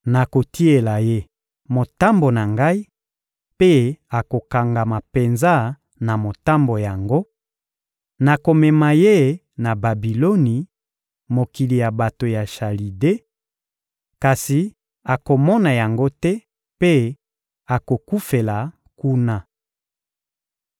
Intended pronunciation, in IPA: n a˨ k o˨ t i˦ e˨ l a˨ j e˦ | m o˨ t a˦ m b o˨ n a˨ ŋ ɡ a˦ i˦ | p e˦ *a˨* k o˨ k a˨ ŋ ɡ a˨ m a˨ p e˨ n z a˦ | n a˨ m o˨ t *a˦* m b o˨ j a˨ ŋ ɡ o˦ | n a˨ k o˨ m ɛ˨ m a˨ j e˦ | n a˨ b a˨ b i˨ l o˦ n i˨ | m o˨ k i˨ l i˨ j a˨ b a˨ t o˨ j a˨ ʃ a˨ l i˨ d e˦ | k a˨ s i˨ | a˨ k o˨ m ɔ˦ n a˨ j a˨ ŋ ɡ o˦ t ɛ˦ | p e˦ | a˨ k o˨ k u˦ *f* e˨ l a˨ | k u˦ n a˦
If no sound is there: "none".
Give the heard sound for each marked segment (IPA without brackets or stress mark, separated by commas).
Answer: a˨, a˦, f